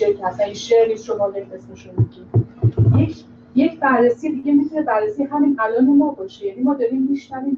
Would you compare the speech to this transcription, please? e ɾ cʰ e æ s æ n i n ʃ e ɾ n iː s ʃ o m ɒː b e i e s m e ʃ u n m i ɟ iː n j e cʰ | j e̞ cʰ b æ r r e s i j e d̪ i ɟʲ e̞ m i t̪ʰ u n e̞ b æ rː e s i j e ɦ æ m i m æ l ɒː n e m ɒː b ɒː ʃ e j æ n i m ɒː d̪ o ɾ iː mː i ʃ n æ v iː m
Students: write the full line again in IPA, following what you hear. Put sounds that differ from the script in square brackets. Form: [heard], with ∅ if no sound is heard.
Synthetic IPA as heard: e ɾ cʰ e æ s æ n i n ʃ e ɾ n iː s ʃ o m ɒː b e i e s m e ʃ u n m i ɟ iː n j e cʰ | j e̞ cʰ b æ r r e s i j e d̪ i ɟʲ e̞ m i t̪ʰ u n e̞ b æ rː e s i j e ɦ æ m i [n] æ l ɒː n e m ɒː b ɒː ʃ e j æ n i m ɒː d̪ [ɒ] ɾ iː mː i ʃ n æ v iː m